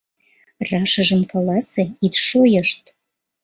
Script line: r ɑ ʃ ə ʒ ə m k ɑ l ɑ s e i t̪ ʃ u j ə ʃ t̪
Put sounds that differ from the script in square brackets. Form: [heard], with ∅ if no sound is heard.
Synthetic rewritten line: r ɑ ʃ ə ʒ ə m k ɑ l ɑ s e i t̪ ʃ [o] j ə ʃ t̪